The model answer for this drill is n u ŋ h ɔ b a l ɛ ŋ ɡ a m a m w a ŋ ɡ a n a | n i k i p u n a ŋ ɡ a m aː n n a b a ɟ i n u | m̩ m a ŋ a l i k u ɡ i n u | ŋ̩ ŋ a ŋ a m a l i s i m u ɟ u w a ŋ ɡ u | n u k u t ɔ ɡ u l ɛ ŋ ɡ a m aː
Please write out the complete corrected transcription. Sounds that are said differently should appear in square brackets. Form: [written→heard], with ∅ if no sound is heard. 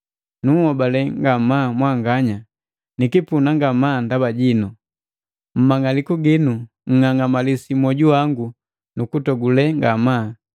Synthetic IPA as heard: n u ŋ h ɔ b a l ɛ ŋ ɡ a m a m w a ŋ ɡ a [n→ɲ] a | n i k i p u n a ŋ ɡ a m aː n [n→d] a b a ɟ i n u | m̩ m a ŋ a l i k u ɡ i n u | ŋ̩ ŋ a ŋ a m a l i s i m [u→ɔ] ɟ u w a ŋ ɡ u | n u k u t ɔ ɡ u l ɛ ŋ ɡ a m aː